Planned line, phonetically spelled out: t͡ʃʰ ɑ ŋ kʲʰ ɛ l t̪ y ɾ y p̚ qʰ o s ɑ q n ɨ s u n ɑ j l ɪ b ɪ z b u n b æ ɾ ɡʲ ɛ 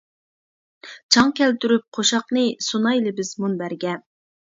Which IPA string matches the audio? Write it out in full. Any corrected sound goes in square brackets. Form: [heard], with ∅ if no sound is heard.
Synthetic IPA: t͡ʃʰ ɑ ŋ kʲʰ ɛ l t̪ y ɾ y p̚ qʰ o [ʃ] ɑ q n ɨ s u n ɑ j l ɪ b ɪ z [m] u n b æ ɾ ɡʲ ɛ